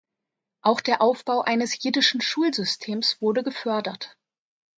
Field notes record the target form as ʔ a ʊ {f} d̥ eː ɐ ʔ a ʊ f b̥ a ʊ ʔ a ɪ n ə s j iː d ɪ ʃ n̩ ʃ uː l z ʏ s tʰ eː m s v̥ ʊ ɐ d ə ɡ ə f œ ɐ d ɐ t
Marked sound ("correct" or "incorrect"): incorrect